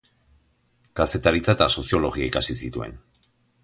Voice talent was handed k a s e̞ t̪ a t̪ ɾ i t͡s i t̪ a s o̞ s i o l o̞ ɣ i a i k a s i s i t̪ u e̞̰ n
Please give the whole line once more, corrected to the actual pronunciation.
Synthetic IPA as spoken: k a s e̞ t̪ a ɾ i t͡s a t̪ a s o̞ s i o l o̞ ɣ i a i k a s i s i t̪ u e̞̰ n